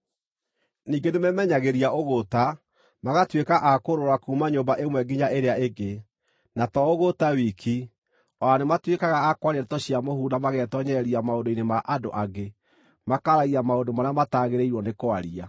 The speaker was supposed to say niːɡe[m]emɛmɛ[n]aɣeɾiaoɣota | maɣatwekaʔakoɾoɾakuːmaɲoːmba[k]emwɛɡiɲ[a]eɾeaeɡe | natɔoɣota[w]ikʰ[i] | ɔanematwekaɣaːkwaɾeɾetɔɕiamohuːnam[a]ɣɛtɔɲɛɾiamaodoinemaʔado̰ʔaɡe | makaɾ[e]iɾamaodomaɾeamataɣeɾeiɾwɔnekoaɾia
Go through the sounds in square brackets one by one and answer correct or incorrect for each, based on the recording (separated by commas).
incorrect, incorrect, incorrect, correct, correct, correct, correct, incorrect